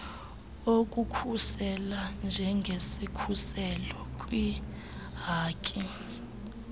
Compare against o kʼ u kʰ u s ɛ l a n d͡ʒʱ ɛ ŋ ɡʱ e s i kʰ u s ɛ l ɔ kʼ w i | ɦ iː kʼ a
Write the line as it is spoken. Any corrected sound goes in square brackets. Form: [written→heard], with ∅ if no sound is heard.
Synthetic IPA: o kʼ u kʰ u s ɛ l a n d͡ʒʱ ɛ ŋ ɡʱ e s i kʰ u s ɛ l ɔ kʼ w i | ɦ [iː→aː] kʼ [a→i]